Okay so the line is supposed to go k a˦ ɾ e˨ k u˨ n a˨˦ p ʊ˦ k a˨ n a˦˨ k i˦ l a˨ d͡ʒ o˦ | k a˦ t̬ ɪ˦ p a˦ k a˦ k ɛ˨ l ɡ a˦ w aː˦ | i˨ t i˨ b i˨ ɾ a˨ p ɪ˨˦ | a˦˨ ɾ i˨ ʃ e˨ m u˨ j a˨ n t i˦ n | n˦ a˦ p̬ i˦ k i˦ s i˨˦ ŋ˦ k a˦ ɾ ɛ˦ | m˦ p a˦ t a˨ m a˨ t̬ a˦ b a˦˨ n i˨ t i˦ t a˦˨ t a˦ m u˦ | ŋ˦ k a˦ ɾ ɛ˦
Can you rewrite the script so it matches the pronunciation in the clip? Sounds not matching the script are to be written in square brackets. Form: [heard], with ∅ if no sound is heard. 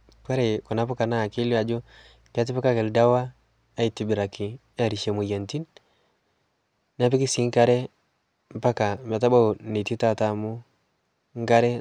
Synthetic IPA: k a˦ ɾ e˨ k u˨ n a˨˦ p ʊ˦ k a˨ n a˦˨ k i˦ l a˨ d͡ʒ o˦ | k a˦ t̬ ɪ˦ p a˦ k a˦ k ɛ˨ l [d] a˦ w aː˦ | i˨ t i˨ b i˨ ɾ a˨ [k] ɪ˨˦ | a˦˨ ɾ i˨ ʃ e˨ m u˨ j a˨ n t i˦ n | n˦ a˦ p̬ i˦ k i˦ s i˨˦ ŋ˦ k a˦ ɾ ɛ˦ | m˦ p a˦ [k] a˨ m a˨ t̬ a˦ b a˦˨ n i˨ t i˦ t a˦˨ t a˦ m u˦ | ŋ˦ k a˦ ɾ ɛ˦

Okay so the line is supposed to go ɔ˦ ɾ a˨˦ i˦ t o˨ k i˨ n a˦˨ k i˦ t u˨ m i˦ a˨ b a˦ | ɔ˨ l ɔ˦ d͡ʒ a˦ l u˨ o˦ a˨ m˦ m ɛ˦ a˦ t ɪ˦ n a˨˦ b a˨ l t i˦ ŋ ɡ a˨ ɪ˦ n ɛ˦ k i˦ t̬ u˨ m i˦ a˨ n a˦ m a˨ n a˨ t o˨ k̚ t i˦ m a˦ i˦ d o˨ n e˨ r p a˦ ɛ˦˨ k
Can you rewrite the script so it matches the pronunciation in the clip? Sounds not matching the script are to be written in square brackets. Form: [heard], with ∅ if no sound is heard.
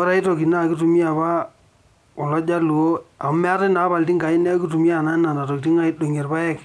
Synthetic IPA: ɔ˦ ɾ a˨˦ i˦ t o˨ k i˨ n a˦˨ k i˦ t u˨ m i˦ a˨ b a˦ | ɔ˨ l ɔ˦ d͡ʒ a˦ l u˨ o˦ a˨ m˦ m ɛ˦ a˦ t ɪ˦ n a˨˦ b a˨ l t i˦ ŋ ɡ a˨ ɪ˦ n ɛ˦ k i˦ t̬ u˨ m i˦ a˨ n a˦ [n] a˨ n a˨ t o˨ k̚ t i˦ [ŋ] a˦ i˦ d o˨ [ŋ] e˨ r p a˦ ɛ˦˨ k

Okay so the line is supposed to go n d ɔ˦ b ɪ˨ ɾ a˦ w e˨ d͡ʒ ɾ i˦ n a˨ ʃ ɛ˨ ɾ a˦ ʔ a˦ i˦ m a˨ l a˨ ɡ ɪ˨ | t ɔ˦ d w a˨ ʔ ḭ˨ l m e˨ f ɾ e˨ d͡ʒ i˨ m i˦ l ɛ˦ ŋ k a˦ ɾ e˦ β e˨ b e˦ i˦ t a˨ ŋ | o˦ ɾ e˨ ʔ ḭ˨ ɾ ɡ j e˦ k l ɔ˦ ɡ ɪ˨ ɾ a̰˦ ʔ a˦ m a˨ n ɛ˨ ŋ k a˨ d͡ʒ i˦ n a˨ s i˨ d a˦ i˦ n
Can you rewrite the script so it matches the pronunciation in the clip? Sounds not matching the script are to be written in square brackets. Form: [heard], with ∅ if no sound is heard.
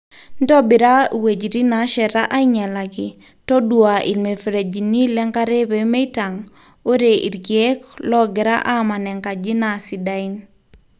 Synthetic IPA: n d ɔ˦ b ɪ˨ ɾ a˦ w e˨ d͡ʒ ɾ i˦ n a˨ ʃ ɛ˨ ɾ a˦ ʔ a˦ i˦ [ɲ] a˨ l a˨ ɡ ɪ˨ | t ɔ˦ d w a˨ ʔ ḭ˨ l m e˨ f ɾ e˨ d͡ʒ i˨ [n] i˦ l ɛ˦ ŋ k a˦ ɾ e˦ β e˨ [m] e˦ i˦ t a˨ ŋ | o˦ ɾ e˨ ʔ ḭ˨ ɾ ɡ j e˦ k l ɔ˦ ɡ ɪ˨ ɾ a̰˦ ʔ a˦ m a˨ n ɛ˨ ŋ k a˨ d͡ʒ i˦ n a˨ s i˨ d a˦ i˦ n

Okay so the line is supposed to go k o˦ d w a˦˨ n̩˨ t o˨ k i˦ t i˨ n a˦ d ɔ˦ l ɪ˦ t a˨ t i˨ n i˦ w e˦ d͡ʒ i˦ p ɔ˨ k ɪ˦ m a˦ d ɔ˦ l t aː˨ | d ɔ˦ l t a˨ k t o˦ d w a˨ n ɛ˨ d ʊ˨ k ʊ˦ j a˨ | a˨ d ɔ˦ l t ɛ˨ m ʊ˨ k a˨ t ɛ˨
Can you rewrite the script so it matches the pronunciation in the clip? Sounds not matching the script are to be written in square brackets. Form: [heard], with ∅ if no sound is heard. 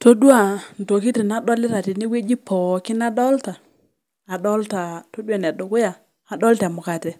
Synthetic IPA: [t] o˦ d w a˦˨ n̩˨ t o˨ k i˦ t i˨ n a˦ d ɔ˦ l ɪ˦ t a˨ t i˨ n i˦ w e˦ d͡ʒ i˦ p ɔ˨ k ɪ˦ [n] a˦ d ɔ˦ l t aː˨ | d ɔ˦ l t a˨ [∅] t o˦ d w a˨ n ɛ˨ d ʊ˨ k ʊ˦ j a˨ | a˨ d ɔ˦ l t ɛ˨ m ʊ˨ k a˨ t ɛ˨

